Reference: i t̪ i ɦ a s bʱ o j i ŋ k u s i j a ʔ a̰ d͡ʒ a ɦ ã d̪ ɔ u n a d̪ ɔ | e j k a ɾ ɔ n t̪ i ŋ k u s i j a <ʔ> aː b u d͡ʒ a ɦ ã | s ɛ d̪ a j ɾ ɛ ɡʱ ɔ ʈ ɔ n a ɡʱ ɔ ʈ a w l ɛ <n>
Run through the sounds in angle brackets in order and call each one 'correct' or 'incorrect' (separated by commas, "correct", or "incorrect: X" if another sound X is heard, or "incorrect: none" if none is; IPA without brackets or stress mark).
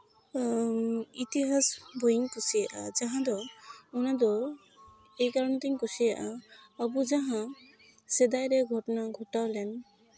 correct, correct